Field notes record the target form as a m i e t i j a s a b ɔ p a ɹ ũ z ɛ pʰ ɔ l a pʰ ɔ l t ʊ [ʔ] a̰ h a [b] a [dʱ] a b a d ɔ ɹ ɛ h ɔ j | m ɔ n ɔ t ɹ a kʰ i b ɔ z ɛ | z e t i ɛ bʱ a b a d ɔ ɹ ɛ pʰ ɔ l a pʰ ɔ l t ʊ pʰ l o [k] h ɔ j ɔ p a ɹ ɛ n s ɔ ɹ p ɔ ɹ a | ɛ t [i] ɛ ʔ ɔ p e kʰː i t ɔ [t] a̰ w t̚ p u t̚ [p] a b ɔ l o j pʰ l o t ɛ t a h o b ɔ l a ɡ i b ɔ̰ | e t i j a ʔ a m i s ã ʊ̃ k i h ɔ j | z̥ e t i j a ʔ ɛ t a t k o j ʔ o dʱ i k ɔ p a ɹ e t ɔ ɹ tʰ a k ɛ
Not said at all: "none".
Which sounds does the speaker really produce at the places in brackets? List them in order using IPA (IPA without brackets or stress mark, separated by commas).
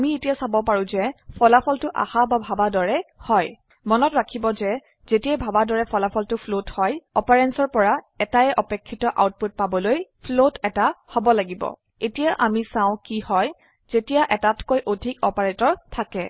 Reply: ʔ, b, bʱ, t, a, ʔ, p